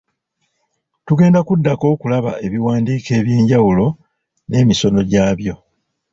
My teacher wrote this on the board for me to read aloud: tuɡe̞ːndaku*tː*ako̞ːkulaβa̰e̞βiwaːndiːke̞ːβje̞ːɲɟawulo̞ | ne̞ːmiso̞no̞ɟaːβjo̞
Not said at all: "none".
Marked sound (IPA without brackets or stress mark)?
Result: dː